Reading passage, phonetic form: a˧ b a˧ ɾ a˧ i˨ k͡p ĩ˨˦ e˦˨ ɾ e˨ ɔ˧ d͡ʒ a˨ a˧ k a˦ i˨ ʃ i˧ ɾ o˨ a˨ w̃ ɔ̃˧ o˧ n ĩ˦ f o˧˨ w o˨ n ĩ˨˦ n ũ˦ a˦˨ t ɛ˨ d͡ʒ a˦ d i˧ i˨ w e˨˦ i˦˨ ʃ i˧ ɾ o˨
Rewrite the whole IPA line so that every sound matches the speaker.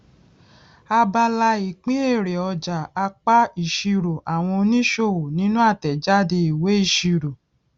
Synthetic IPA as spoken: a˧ b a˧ l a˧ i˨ k͡p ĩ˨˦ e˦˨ ɾ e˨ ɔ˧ d͡ʒ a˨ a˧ k͡p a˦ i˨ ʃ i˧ ɾ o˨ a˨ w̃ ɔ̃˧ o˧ n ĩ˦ ʃ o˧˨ w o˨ n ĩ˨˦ n ũ˦ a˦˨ t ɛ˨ d͡ʒ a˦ d e˧ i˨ w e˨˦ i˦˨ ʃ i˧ ɾ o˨